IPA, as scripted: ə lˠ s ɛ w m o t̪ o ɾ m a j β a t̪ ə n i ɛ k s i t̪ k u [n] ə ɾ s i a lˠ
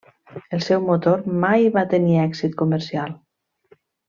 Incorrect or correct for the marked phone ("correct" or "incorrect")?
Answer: incorrect